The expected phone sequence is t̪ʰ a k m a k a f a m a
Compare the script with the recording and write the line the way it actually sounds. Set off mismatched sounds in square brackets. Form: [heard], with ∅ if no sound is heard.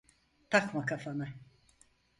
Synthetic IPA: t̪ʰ a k m a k a f a [n] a